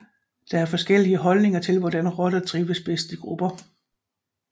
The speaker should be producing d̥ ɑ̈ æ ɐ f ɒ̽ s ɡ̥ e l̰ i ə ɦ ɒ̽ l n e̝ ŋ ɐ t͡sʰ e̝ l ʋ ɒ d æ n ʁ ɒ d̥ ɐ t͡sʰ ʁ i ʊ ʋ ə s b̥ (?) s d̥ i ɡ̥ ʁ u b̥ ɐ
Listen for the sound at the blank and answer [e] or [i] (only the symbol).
e